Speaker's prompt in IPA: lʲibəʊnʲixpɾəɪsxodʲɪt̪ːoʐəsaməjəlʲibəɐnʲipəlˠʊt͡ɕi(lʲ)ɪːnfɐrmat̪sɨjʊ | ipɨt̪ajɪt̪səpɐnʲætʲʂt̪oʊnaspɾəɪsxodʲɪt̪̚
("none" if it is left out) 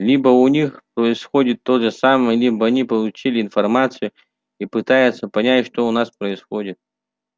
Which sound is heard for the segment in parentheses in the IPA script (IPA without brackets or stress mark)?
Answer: lʲ